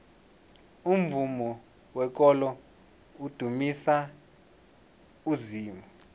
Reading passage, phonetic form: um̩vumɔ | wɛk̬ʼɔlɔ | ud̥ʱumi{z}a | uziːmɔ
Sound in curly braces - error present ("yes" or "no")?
yes